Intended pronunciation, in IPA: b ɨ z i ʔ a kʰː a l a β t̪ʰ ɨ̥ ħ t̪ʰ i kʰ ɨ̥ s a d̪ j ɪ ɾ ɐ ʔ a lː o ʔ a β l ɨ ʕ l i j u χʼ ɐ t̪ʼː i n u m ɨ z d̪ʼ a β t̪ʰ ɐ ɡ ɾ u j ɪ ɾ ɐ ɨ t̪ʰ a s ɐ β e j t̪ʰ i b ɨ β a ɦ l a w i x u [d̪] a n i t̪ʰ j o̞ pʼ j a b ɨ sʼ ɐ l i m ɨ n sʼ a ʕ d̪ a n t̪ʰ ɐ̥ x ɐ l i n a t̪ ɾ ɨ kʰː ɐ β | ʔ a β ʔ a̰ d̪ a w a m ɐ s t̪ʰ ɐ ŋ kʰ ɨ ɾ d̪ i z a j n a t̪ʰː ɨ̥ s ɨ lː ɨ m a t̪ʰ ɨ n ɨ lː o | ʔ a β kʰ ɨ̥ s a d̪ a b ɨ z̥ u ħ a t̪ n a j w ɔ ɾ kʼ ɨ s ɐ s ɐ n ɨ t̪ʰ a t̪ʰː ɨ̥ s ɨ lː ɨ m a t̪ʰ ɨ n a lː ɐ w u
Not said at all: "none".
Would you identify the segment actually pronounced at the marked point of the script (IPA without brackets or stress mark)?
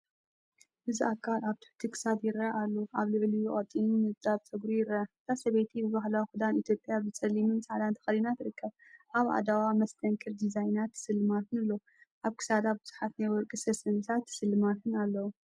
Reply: d̪